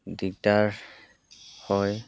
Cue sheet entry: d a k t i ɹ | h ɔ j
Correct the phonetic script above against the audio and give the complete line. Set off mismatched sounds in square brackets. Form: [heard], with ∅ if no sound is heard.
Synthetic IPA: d [i] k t [a] ɹ | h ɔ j